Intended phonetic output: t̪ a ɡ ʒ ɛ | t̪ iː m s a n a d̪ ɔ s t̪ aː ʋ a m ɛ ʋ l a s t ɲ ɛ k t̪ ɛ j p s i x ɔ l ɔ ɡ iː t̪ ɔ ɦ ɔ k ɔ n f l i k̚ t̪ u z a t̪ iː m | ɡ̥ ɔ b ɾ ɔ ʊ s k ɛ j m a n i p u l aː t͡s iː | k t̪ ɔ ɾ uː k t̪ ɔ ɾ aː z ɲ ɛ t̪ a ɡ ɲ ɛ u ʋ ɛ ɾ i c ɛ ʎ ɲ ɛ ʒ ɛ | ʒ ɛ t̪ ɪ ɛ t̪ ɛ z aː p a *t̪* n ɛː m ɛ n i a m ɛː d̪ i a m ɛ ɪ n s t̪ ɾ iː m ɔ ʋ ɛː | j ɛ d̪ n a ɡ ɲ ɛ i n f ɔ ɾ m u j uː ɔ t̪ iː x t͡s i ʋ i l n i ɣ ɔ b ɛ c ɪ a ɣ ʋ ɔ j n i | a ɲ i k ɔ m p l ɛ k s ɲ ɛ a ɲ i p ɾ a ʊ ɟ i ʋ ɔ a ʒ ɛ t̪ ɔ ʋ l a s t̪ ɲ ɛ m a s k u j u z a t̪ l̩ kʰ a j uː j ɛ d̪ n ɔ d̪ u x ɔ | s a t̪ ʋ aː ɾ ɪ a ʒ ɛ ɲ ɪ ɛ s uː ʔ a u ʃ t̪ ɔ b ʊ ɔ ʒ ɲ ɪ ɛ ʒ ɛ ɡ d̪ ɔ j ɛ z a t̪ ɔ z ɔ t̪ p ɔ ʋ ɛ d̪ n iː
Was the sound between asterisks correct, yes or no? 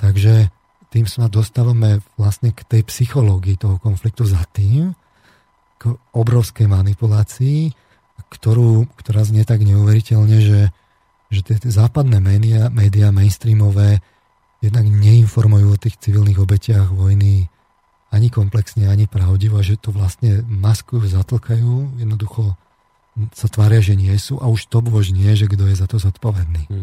no